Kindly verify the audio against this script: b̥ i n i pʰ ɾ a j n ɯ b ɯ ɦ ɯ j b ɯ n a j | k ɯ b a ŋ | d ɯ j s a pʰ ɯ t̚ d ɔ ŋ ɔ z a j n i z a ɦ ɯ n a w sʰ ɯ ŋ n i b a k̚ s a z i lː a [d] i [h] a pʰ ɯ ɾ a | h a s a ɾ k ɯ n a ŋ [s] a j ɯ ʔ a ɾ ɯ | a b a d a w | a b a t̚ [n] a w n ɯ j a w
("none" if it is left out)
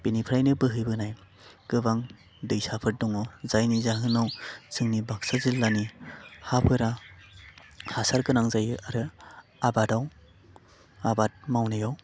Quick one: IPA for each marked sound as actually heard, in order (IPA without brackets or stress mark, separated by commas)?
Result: n, h, z, m